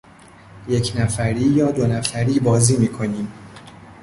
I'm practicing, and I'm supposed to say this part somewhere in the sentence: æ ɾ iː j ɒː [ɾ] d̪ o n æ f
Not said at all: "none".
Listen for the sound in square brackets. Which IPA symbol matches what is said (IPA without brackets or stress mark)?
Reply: none